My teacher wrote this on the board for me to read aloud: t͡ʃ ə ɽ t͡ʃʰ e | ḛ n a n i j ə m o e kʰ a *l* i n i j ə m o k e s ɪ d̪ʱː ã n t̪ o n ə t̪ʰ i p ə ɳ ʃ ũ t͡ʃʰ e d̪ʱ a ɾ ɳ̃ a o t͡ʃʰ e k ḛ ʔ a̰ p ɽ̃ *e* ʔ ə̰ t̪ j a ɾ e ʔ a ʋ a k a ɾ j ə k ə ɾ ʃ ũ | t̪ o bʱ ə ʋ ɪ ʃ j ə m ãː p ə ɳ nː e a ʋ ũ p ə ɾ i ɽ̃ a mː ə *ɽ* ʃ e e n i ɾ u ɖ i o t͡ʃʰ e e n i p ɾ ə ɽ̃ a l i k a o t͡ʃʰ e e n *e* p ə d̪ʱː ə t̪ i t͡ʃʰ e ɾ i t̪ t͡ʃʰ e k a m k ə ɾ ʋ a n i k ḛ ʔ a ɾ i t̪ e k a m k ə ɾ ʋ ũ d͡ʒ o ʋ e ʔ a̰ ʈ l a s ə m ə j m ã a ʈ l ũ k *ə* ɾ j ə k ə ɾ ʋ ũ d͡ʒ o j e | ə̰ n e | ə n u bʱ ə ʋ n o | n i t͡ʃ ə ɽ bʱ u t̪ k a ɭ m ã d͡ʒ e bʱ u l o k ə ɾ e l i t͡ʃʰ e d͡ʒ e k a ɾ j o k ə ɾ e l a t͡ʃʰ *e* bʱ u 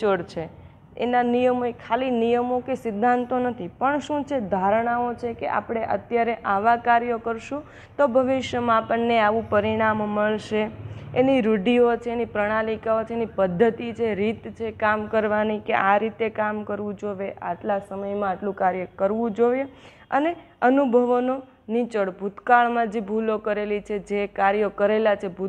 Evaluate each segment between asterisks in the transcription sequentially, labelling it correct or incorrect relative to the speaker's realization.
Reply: correct, correct, incorrect, incorrect, incorrect, correct

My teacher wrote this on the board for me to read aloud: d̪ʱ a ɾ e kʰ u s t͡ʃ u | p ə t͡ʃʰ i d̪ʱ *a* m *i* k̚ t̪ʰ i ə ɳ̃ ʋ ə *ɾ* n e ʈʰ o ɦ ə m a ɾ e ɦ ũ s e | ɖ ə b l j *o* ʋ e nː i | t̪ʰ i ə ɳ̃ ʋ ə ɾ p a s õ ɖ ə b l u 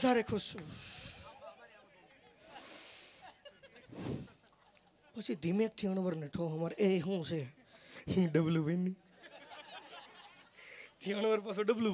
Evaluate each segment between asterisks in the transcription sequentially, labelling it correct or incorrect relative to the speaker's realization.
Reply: incorrect, incorrect, correct, incorrect

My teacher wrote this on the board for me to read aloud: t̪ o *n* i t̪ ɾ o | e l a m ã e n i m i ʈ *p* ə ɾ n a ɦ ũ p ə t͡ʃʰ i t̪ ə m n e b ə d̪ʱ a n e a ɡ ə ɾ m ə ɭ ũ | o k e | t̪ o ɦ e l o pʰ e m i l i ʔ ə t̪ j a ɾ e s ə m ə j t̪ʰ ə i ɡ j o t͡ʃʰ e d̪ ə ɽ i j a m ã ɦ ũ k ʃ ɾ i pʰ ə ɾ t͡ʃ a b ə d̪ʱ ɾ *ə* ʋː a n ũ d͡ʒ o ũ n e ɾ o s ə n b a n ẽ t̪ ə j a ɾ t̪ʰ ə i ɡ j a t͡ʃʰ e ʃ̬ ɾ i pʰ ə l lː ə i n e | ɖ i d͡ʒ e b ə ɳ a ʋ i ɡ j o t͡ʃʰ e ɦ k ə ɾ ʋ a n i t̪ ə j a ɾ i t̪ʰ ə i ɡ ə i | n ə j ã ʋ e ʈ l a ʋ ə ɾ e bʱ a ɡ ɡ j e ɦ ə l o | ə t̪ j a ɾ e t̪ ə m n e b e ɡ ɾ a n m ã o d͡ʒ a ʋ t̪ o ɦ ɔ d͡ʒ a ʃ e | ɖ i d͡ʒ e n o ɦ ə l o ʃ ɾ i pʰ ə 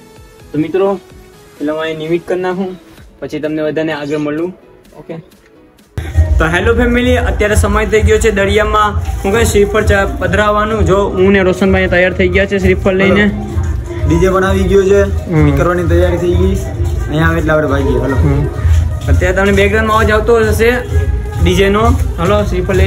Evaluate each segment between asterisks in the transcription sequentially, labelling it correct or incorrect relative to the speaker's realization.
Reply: incorrect, incorrect, incorrect

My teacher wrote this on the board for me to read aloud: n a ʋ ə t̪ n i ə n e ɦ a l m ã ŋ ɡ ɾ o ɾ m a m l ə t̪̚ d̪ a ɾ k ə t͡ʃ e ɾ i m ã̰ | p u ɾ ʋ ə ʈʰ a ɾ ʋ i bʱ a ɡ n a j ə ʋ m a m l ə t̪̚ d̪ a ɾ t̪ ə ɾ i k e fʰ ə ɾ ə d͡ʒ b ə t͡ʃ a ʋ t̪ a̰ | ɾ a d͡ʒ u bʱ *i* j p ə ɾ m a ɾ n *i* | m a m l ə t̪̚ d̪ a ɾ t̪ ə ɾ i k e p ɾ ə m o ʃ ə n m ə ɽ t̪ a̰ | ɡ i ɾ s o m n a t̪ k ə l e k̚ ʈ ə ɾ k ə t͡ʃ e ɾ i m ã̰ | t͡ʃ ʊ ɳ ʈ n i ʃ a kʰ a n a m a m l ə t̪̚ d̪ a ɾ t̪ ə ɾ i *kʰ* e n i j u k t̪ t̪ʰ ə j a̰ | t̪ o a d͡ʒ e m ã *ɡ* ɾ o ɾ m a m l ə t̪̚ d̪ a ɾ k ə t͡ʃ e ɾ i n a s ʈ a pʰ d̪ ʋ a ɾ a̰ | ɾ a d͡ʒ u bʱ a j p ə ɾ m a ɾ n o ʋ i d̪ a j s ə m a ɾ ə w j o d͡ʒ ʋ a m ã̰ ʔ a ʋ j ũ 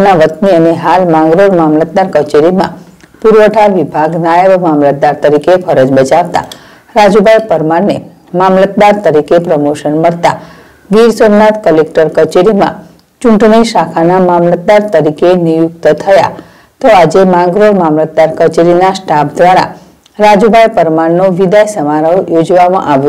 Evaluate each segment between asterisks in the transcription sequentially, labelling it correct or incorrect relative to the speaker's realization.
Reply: incorrect, incorrect, incorrect, correct

